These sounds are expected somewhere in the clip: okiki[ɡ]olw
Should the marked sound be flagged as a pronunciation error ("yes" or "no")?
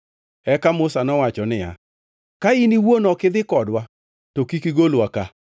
no